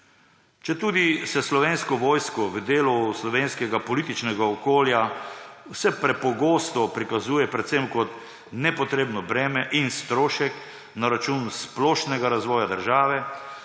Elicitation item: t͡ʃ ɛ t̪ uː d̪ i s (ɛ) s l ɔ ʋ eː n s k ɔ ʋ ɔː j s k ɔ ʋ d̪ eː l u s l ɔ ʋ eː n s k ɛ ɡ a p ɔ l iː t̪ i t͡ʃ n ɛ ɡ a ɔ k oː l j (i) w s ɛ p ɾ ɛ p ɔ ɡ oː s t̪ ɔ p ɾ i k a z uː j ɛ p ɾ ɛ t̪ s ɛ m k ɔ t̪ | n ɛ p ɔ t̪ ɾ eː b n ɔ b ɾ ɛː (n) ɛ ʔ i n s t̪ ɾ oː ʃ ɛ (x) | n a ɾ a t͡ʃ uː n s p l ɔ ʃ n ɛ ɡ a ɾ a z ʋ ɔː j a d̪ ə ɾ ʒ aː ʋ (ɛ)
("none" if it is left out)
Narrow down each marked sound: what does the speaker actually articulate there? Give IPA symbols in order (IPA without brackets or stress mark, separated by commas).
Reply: ɛ, a, m, k, ɛ